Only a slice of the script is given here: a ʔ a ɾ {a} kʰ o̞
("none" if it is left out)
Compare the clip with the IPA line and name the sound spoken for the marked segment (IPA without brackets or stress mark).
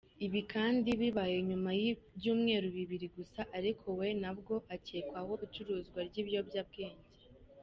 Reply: i